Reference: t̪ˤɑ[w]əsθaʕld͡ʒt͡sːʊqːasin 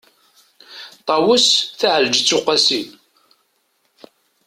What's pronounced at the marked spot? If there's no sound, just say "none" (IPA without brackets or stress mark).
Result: w